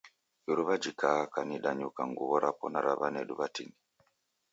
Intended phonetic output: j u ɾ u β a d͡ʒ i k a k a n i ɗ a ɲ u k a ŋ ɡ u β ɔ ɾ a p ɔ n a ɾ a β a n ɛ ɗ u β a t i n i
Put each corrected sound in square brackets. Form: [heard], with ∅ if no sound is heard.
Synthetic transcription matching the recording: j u ɾ u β a d͡ʒ i k a k a n i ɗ a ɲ u k a ŋ ɡ u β ɔ ɾ a p ɔ n a ɾ a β a n ɛ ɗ u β a t i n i